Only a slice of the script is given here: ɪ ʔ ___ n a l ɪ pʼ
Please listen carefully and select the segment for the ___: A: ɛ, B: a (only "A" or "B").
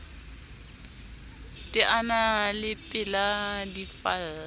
B